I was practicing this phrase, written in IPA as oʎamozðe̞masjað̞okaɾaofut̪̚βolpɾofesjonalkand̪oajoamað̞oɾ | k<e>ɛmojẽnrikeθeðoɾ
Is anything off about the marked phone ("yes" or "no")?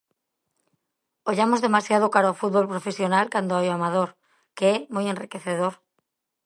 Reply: no